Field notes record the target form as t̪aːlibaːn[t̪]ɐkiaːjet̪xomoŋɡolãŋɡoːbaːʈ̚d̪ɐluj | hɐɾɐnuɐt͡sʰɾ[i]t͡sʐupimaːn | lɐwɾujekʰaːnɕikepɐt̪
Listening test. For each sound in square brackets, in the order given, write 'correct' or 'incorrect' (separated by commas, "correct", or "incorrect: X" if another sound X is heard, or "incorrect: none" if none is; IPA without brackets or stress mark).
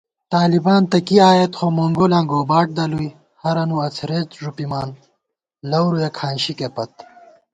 correct, incorrect: e